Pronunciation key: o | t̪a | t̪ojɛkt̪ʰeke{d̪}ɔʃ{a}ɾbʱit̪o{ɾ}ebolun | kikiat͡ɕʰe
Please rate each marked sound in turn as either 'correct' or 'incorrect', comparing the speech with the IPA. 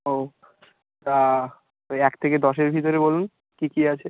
correct, incorrect: e, correct

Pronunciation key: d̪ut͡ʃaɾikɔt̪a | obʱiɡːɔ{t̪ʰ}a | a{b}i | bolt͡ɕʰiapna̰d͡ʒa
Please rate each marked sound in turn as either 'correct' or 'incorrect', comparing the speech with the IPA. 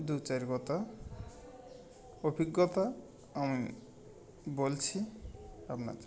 incorrect: t̪, incorrect: m

